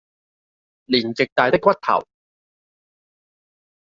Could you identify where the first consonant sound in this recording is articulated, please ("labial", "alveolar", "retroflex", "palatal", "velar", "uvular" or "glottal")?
alveolar